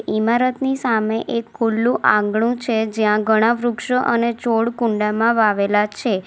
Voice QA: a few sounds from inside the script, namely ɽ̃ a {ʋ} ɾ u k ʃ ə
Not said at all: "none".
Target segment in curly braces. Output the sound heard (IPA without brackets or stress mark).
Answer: ʋ